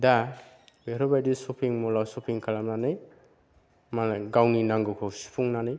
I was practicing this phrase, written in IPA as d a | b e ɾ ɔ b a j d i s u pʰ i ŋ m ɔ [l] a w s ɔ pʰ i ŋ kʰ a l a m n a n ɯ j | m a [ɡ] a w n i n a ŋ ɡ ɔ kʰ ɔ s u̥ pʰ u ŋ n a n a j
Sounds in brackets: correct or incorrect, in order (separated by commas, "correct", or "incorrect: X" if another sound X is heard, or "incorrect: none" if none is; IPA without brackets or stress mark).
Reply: correct, correct